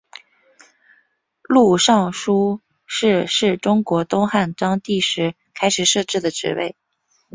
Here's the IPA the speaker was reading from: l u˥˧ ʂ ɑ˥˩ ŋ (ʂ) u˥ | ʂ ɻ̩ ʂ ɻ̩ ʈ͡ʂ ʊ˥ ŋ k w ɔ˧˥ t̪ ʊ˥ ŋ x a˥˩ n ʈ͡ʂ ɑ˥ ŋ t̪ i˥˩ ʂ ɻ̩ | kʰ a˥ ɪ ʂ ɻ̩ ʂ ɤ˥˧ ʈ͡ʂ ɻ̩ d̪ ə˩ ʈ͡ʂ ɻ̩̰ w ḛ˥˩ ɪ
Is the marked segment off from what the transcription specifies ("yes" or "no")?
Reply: no